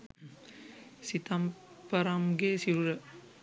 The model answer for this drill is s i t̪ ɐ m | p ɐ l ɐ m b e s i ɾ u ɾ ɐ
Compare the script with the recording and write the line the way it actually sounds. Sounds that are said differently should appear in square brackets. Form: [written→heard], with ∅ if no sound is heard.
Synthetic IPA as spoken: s i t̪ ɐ m | p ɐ [l→ɾ] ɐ m [b→ɡ] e s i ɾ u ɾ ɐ